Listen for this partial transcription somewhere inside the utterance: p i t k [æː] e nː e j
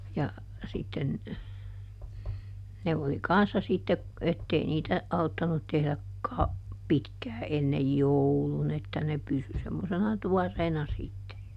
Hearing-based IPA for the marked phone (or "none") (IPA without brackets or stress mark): æː